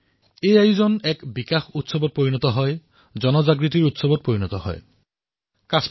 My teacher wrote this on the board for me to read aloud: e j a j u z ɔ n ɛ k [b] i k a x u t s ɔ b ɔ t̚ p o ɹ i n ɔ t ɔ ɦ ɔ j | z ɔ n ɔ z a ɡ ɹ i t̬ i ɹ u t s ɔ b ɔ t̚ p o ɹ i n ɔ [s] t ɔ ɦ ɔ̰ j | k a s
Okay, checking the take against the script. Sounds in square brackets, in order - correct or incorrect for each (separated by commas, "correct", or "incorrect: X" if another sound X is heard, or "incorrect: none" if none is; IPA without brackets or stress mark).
correct, incorrect: none